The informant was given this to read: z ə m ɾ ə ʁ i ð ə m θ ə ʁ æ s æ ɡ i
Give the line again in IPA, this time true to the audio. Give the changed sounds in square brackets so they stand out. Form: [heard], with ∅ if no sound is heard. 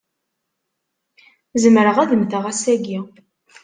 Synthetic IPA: z ə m ɾ ə ʁ [æ] ð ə m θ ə ʁ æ s æ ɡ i